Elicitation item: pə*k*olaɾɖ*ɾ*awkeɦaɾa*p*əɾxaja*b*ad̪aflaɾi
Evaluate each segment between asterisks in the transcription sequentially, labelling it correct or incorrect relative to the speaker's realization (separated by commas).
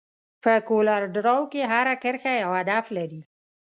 correct, correct, incorrect, incorrect